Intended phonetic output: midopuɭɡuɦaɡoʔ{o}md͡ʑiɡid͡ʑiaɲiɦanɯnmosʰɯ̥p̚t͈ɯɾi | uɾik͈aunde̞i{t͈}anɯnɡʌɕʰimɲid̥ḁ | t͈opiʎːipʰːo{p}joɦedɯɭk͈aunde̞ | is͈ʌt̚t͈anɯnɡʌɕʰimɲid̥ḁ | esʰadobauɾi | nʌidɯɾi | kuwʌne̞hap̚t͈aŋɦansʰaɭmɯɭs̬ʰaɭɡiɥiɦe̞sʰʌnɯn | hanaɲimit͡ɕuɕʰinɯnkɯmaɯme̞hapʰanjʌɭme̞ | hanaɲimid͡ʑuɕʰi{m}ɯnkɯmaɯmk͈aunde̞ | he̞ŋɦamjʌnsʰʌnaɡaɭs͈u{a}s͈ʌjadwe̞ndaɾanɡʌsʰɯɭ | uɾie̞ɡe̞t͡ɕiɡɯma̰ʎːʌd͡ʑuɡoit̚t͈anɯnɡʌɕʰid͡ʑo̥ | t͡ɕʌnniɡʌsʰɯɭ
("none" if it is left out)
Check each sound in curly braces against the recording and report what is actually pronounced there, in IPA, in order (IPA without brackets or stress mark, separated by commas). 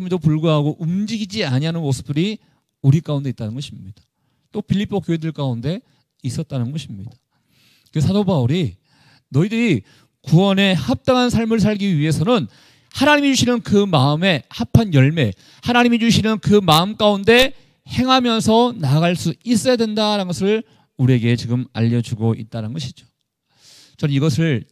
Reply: u, t͈, k, n, i